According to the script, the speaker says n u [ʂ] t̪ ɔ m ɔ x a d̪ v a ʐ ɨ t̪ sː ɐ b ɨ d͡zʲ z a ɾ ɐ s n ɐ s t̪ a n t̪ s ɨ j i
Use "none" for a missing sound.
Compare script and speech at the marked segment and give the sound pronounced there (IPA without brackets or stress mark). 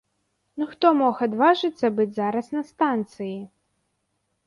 x